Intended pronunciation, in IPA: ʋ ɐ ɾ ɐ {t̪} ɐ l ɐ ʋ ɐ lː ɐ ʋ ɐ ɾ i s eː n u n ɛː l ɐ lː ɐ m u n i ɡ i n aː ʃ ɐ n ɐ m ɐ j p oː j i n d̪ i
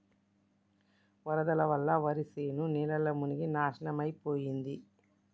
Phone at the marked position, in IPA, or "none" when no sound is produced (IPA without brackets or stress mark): d̪